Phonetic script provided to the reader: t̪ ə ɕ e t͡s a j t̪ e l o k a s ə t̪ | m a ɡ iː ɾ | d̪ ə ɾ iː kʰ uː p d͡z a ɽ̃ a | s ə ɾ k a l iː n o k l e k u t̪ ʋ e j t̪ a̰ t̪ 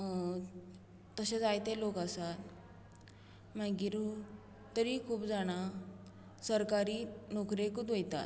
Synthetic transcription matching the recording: t̪ ə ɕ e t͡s a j t̪ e l o k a s a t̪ | m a ɡ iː ɾ | t̪ ə ɾ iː kʰ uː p d͡z a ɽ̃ a | s ə ɾ k a ɾ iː n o k ɾ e k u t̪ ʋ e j t̪ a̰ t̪